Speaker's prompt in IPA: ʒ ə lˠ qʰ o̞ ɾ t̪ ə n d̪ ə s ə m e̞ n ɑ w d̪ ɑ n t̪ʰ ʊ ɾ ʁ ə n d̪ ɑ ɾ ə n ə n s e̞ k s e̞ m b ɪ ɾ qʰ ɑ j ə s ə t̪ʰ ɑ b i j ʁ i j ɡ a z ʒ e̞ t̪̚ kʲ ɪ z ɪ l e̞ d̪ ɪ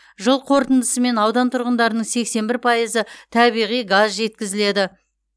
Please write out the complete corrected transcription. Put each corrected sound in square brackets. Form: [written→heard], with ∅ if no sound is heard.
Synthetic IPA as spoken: ʒ ə lˠ qʰ o̞ ɾ t̪ ə n d̪ ə s ə m e̞ n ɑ w d̪ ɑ n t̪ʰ ʊ ɾ ʁ ə n d̪ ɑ ɾ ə n ə [n→ɴ] s e̞ k s e̞ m b ɪ ɾ [qʰ→pʰ] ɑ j ə [s→z] ə t̪ʰ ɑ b i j ʁ i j ɡ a z ʒ e̞ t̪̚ kʲ ɪ z ɪ l e̞ d̪ ɪ